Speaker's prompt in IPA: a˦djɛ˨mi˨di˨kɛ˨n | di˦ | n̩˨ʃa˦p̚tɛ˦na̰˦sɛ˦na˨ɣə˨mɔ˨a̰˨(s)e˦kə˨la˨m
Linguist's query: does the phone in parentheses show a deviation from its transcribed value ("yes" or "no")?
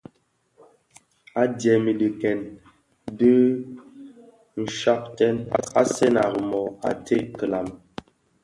yes